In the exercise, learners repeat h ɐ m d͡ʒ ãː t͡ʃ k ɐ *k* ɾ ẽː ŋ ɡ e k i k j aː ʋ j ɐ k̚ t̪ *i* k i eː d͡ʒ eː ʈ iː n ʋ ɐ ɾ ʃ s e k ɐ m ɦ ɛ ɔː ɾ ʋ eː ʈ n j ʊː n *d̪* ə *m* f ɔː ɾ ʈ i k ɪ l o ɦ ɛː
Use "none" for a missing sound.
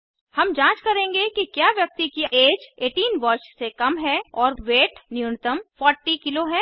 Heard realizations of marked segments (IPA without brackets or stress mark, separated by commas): none, i, t̪, m